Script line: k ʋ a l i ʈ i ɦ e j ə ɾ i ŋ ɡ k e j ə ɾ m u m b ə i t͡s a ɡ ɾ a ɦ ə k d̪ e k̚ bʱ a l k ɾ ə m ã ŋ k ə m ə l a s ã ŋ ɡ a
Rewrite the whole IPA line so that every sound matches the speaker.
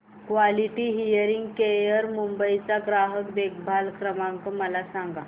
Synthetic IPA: k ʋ a l i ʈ i ɦ i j ə ɾ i ŋ ɡ k e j ə ɾ m u m b ə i t͡s a ɡ ɾ a ɦ ə k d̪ e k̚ bʱ a l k ɾ ə m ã ŋ k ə m ə l a s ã ŋ ɡ a